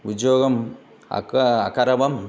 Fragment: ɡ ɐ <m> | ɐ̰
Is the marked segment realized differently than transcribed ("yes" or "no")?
no